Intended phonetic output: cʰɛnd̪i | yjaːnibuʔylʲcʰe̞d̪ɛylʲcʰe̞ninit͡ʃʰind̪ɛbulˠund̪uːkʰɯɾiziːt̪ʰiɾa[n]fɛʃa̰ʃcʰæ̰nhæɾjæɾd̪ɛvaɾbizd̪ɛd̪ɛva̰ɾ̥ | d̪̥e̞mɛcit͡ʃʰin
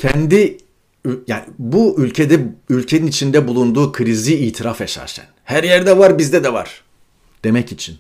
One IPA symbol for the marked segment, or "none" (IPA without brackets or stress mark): none